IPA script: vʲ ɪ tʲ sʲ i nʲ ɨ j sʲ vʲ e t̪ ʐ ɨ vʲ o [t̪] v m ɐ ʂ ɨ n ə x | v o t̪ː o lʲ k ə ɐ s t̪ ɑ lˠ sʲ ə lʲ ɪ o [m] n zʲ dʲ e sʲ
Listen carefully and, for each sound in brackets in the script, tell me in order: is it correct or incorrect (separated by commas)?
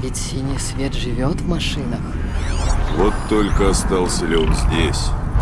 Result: correct, incorrect